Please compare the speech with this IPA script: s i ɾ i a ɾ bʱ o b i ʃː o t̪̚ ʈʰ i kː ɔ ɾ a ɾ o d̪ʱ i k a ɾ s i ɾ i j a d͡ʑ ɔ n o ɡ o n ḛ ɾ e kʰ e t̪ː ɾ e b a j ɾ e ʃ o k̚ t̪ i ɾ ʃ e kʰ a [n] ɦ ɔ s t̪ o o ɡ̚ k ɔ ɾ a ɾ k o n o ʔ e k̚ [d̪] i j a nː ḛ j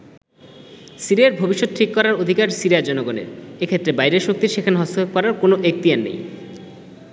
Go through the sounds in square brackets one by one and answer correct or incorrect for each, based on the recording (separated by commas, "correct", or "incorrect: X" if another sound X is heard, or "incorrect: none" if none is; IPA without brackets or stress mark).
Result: correct, incorrect: t̪